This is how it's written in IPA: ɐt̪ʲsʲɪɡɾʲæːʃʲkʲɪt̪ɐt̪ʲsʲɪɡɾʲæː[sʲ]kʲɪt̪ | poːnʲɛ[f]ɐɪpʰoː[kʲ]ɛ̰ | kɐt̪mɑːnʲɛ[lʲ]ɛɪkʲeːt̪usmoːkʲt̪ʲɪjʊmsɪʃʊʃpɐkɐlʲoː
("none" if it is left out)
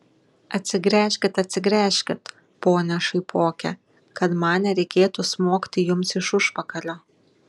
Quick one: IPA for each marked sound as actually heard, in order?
ʃʲ, ʃ, kʲ, ɾʲ

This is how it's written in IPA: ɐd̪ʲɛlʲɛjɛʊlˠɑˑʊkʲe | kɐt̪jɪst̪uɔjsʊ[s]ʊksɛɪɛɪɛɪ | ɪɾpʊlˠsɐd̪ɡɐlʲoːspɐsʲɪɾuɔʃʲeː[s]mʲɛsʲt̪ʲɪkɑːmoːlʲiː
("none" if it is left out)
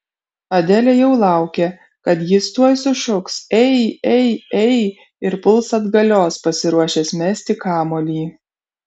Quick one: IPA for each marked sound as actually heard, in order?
ʃ, s

